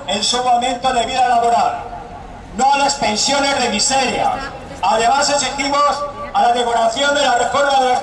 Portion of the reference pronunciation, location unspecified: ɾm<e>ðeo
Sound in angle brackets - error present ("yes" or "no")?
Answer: yes